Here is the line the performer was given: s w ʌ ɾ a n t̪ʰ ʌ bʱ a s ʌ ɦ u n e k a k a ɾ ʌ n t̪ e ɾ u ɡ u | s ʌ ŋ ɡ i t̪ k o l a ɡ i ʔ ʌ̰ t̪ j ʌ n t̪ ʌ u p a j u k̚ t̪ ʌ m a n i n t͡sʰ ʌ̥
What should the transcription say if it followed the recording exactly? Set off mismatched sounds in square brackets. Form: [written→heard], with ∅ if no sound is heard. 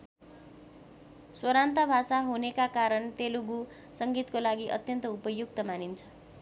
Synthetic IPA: s w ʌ ɾ a n [t̪ʰ→t̪] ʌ bʱ a s [ʌ→a] ɦ u n e k a k a ɾ ʌ n t̪ e [ɾ→l] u ɡ u | s ʌ ŋ ɡ i t̪ k o l a ɡ i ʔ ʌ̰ t̪ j ʌ n t̪ ʌ u p [a→ʌ] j u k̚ t̪ ʌ m a n i n t͡sʰ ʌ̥